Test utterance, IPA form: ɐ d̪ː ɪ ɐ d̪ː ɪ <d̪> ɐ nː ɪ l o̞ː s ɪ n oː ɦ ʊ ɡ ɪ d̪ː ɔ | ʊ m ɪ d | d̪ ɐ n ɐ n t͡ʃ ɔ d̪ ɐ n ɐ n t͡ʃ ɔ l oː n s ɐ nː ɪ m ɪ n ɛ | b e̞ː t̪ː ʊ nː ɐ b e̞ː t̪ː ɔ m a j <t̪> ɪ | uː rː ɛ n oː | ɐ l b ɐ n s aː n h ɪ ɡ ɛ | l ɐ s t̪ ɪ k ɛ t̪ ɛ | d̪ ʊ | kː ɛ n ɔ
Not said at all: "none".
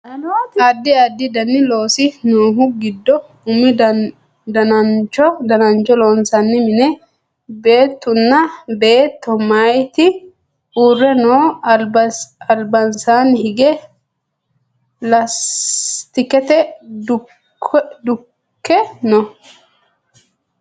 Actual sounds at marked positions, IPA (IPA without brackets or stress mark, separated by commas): d̪, t̪